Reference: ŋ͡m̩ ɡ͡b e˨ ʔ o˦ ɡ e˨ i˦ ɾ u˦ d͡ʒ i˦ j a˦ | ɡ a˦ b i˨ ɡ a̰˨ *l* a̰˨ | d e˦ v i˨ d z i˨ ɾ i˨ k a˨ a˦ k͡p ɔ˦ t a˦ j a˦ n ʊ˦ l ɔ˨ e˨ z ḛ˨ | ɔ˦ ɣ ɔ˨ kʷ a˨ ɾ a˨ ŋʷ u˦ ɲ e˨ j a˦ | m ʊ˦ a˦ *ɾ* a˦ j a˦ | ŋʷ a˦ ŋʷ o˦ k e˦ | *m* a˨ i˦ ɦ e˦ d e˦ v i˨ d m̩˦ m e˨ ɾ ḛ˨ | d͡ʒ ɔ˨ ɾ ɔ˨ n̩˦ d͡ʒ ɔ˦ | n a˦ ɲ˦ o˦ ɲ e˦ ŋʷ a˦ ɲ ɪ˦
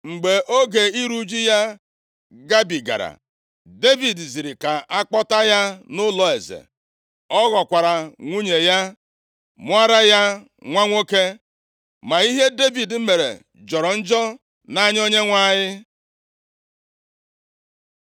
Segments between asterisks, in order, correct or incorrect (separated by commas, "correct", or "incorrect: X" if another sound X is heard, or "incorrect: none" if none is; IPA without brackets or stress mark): incorrect: ɾ, correct, correct